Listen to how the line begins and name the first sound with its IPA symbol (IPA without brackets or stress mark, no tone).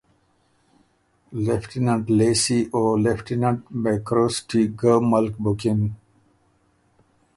l